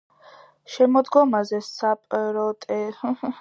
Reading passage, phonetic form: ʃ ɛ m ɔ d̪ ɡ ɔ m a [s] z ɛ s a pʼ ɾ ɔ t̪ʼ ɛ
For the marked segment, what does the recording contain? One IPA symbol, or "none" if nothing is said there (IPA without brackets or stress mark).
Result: none